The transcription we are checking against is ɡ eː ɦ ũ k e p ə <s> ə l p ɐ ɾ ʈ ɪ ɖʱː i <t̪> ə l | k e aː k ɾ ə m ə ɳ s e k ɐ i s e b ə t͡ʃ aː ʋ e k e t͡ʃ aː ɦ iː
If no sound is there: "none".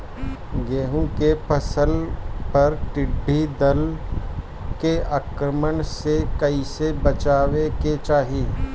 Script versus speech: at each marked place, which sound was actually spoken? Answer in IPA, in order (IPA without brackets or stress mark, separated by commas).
s, d̪